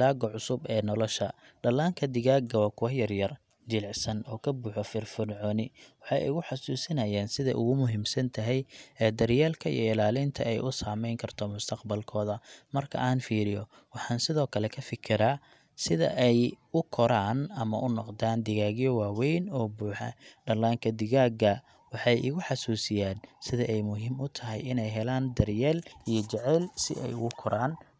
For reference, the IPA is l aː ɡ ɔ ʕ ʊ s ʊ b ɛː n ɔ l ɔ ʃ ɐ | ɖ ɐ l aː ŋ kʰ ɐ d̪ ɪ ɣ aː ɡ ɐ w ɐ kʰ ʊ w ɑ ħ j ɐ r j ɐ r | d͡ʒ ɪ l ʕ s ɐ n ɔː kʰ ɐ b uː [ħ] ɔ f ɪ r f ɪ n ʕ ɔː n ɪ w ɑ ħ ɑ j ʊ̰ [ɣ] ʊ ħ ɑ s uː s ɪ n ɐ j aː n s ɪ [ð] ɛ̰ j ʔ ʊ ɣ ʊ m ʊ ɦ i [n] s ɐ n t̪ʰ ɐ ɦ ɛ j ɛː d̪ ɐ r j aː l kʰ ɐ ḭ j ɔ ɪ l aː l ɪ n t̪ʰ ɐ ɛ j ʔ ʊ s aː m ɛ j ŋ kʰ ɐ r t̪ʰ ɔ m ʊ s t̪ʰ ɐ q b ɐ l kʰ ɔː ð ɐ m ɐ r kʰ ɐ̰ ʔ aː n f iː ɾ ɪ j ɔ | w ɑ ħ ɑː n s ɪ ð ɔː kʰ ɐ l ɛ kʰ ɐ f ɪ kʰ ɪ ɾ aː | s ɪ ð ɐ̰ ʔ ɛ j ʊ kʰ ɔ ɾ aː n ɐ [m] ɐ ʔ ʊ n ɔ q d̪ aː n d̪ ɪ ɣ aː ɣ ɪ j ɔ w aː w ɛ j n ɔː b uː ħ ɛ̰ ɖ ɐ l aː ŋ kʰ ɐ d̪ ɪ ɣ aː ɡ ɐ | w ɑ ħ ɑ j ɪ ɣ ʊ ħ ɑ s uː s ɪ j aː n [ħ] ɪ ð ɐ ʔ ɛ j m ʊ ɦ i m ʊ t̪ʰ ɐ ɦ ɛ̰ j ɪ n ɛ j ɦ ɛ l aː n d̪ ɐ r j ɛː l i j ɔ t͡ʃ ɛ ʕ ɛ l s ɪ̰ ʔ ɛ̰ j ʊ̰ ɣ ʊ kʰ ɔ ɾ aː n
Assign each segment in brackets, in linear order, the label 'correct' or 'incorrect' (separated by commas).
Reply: correct, correct, correct, incorrect, correct, incorrect